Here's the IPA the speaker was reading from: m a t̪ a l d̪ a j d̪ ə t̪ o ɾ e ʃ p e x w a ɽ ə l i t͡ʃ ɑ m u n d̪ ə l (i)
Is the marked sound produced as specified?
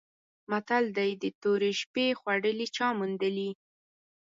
yes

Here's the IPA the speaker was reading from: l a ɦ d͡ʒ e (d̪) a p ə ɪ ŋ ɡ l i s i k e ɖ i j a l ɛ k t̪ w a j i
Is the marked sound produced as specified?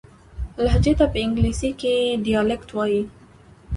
no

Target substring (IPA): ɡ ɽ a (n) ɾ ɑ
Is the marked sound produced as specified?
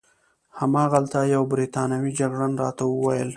yes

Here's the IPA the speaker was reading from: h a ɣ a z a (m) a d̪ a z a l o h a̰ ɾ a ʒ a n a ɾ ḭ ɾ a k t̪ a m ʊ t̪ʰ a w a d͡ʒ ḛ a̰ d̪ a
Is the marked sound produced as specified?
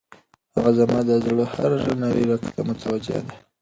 yes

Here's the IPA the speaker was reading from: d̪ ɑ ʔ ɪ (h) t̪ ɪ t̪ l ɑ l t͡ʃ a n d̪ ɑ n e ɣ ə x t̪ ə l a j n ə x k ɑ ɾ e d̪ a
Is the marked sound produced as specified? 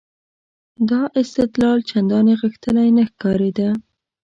no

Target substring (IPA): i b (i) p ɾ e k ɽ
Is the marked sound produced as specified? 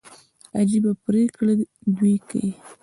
no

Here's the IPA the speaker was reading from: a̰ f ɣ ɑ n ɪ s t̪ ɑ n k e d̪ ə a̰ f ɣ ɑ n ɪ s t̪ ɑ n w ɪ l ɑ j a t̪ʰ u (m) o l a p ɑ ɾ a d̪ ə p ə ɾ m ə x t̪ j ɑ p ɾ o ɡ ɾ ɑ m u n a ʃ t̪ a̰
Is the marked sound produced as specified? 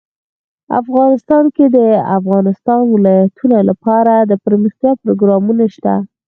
no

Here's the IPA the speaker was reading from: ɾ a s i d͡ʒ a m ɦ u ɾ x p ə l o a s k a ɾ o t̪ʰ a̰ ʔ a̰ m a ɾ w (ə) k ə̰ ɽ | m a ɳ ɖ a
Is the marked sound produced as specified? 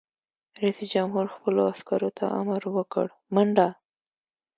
yes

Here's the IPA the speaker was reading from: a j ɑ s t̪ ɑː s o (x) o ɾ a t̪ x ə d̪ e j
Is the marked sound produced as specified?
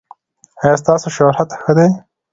no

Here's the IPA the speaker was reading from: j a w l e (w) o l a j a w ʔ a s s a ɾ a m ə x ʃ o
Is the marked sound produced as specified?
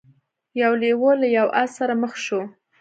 yes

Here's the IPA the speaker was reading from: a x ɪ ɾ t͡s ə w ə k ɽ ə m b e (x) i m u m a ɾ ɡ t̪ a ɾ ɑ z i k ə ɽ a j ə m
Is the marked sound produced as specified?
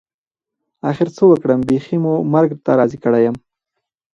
yes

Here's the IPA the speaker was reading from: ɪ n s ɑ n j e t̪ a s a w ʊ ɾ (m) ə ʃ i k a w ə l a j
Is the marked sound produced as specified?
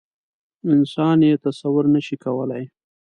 no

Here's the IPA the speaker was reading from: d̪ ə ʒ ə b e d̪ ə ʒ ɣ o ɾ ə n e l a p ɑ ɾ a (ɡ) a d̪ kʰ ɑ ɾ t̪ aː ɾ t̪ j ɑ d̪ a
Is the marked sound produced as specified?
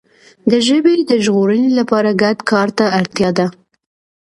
yes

